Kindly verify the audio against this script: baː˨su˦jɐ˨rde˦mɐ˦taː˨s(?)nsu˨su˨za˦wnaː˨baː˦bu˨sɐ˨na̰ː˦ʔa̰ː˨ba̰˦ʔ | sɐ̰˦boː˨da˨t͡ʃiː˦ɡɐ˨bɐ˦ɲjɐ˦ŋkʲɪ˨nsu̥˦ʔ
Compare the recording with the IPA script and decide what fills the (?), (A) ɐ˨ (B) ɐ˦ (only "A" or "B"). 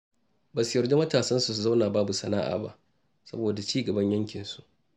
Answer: B